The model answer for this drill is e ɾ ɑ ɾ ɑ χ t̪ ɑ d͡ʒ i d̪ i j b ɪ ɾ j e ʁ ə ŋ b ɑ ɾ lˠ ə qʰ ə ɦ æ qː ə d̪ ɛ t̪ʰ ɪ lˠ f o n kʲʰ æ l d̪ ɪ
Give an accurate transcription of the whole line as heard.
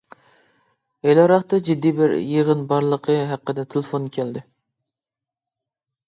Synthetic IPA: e l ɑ ɾ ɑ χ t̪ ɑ d͡ʒ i d̪ː i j b ɪ ɾ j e ʁ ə n b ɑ ɾ lˠ ə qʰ ə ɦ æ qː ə d̪ ɛ t̪ʰ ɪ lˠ f o n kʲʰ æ l d̪ ɪ